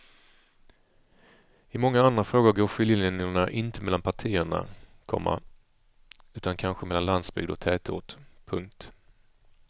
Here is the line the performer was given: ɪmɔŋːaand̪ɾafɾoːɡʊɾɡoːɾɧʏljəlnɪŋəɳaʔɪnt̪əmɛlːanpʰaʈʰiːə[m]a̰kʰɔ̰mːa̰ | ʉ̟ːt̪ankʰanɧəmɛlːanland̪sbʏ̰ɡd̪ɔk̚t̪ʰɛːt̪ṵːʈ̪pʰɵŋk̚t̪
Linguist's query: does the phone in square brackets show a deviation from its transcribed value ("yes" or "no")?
yes